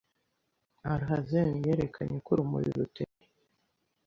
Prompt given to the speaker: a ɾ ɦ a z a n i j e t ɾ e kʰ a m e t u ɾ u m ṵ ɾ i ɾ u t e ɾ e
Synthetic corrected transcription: a ɾ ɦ a z e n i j e ɾ e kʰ a ɲ e k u ɾ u m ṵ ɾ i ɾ u t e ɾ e